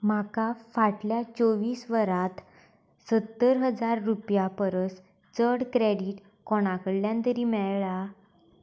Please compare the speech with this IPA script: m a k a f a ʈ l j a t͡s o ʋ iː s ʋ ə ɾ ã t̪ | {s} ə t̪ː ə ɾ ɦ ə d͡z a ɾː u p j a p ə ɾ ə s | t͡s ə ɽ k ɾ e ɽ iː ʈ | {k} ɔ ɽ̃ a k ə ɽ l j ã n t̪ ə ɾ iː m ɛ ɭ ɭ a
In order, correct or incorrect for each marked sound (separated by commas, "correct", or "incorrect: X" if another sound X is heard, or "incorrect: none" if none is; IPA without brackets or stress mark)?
correct, correct